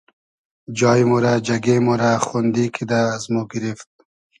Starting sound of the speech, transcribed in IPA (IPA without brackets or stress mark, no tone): d͡ʒ